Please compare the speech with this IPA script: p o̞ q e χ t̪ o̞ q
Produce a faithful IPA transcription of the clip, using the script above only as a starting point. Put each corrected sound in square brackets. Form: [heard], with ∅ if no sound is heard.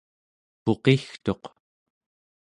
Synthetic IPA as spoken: p o̞ q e [x] t̪ o̞ q